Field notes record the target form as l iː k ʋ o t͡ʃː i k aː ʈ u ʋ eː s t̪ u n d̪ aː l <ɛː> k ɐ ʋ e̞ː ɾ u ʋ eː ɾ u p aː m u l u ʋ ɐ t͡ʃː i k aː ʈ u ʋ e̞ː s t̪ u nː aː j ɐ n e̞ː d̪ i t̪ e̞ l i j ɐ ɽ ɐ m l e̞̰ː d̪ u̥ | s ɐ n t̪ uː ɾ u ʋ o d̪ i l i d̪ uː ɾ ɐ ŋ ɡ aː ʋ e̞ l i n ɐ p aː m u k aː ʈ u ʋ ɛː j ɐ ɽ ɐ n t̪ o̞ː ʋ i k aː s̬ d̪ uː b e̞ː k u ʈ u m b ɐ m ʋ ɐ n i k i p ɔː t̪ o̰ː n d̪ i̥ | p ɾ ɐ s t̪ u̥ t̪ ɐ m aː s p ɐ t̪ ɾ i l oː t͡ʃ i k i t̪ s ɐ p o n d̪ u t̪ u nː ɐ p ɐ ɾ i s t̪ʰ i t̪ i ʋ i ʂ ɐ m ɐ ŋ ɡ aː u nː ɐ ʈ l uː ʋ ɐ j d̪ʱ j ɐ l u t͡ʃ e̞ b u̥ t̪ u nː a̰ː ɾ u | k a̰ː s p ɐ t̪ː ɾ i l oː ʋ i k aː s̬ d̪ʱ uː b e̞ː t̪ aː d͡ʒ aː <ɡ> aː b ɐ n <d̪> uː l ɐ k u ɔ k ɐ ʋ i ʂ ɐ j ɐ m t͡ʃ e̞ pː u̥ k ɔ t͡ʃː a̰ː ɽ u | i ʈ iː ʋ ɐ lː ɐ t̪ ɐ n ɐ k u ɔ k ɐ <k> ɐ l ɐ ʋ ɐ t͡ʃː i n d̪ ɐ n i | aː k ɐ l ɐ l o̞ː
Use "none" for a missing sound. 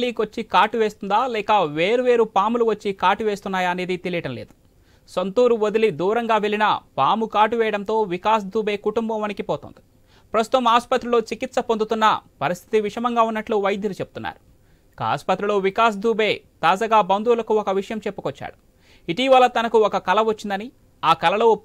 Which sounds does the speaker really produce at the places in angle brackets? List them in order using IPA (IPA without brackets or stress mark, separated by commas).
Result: ɛː, ɡ, d̪, k